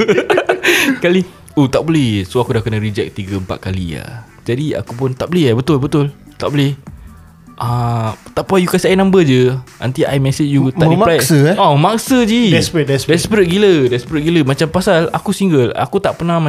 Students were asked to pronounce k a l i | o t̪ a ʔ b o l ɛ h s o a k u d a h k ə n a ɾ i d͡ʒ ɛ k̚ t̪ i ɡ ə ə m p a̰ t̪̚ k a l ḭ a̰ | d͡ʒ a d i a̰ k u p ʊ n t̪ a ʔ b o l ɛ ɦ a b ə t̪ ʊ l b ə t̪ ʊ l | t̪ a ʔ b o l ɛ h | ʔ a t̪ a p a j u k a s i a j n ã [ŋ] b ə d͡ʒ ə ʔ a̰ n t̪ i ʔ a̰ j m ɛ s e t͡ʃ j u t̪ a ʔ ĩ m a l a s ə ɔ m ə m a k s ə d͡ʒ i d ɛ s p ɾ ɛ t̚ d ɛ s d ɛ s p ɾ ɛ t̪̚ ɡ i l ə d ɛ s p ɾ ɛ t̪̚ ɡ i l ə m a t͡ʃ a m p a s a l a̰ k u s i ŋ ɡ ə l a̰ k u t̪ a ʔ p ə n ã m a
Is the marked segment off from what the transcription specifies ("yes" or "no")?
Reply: yes